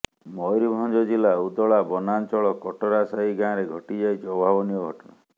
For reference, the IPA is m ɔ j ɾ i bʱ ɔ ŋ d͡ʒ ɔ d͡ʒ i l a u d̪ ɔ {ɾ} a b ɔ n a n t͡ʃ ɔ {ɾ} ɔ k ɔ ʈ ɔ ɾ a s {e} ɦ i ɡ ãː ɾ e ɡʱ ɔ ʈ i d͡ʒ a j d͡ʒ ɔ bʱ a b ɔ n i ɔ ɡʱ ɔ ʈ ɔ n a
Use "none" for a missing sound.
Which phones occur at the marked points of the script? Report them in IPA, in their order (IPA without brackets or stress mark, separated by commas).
ɭ, ɭ, a